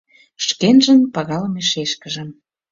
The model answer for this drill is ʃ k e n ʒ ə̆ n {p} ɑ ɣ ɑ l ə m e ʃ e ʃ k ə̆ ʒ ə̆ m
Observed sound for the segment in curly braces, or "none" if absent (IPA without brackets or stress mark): p